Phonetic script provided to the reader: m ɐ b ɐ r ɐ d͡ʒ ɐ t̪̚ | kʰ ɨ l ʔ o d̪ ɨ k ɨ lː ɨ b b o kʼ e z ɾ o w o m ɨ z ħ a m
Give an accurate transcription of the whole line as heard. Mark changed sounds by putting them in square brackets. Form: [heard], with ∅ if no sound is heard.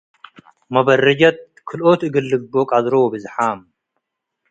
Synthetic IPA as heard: m ɐ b ɐ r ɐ d͡ʒ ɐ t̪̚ | kʰ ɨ l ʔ o [t̪] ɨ [ɡ] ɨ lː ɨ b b o kʼ [a] z ɾ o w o [b] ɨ z ħ a m